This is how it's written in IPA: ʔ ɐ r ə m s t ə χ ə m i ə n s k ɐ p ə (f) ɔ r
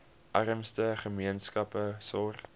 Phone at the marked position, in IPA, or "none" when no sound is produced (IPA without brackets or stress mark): s